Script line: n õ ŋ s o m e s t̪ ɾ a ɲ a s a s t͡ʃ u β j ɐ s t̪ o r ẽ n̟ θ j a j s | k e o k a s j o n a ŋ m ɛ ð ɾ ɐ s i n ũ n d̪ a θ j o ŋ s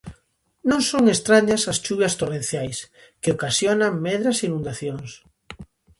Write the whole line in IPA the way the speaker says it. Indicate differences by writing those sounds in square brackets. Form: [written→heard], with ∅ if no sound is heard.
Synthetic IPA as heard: n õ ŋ s o [m→ŋ] e s t̪ ɾ a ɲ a s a s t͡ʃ u β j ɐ s t̪ o r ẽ n̟ θ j a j s | k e o k a s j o n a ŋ m ɛ ð ɾ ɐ s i n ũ n d̪ a θ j o ŋ s

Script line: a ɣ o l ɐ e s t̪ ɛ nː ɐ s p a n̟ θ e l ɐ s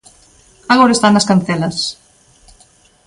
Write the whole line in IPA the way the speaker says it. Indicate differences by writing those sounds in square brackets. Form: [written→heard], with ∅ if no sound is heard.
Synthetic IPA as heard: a ɣ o [l→ɾ] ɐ e s t̪ [ɛ→a] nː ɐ s [p→k] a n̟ θ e l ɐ s

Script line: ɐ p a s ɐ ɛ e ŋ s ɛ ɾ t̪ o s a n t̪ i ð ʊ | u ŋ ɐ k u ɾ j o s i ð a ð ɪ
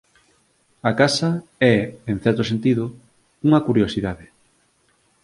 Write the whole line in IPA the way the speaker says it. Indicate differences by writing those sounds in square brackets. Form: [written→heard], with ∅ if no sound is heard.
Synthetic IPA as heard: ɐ [p→k] a s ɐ ɛ e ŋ [s→θ] ɛ ɾ t̪ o s [a→e] n t̪ i ð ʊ | u ŋ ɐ k u ɾ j o s i ð a ð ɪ

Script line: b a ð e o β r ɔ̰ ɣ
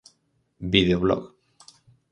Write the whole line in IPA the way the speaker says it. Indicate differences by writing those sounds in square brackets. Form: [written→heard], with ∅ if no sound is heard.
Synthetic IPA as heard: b [a→i] ð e o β [r→l] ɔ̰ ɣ

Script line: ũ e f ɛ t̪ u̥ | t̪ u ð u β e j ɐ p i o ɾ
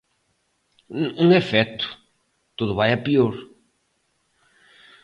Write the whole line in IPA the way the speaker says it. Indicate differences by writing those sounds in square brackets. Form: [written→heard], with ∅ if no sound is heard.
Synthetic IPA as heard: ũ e f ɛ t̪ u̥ | t̪ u ð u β [e→a] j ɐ p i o ɾ

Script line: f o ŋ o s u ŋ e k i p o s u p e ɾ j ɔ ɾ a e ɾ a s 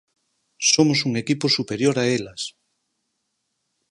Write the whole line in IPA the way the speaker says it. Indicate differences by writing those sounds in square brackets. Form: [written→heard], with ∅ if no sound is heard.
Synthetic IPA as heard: [f→s] o [ŋ→m] o s u ŋ e k i p o s u p e ɾ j [ɔ→o] ɾ a e [ɾ→l] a s

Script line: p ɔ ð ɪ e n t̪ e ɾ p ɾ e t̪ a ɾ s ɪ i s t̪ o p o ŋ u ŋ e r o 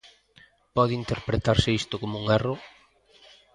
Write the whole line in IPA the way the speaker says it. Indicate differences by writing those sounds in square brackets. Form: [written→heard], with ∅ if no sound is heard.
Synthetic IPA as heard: p ɔ ð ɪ [e→i] n t̪ e ɾ p ɾ e t̪ a ɾ s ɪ i s t̪ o [p→k] o [ŋ→m] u ŋ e r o

